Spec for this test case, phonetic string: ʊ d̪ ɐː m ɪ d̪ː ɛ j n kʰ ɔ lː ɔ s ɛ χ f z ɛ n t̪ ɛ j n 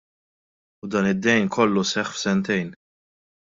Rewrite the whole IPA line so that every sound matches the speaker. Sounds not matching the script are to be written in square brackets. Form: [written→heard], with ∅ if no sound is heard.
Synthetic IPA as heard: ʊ d̪ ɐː [m→n] ɪ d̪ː ɛ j n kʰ ɔ lː [ɔ→u] s ɛ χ f [z→s] ɛ n t̪ ɛ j n